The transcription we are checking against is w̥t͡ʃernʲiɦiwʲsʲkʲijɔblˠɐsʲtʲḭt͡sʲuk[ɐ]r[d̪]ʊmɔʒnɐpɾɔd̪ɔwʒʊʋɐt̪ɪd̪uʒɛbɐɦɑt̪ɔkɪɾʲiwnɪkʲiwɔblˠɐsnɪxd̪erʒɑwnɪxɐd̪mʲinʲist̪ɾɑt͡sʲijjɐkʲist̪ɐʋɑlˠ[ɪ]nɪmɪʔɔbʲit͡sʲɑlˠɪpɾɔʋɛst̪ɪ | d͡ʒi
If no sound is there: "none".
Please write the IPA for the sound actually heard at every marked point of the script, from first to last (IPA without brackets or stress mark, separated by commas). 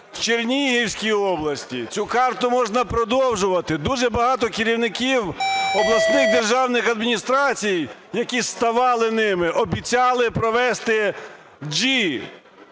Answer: ɑ, t̪, ɪ